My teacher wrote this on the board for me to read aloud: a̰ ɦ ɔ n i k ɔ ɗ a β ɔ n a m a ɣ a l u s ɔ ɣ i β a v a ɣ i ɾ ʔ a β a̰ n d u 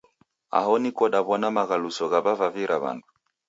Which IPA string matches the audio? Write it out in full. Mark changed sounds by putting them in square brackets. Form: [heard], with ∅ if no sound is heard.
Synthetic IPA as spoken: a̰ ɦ ɔ n i k ɔ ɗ a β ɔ n a m a ɣ a l u s ɔ ɣ [a] β a v a [v] i ɾ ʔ a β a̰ n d u